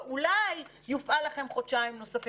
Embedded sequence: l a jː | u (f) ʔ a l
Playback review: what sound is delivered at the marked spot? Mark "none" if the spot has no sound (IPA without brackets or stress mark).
f